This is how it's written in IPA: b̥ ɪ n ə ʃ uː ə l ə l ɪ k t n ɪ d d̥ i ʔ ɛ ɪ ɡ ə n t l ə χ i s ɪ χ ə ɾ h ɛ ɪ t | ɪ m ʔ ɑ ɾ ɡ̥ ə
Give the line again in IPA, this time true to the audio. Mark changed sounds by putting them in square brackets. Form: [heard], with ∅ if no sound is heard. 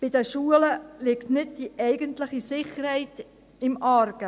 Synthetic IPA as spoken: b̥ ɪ [d] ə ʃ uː ə l ə l ɪ k t n ɪ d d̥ i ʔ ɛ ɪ ɡ ə n t l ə χ i s ɪ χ ə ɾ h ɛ ɪ t | ɪ m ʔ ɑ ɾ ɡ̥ ə